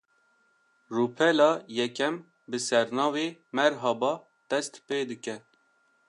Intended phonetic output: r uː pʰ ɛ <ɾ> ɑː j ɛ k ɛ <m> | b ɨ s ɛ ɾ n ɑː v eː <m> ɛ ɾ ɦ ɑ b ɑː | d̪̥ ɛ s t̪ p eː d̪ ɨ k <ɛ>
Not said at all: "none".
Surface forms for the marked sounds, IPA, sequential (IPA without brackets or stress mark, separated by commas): l, m, m, ɛ